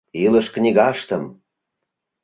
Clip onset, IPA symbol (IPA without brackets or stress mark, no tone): i